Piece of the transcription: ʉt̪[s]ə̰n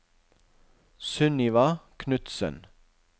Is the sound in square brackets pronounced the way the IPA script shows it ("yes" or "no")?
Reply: yes